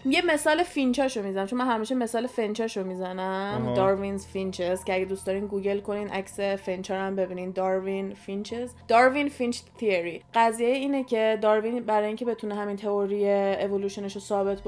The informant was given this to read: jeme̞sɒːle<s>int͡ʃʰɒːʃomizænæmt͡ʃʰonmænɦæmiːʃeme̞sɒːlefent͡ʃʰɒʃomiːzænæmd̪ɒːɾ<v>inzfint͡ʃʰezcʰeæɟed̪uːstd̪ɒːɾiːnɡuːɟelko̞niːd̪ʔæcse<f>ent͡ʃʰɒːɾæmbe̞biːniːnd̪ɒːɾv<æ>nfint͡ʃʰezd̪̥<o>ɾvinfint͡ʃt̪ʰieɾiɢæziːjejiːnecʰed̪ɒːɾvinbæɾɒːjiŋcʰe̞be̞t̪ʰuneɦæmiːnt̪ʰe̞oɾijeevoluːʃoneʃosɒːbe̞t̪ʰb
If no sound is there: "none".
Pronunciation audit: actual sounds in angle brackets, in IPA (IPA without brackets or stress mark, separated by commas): f, v, f, i, ɒ